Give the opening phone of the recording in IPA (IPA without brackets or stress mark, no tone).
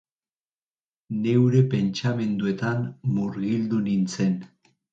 n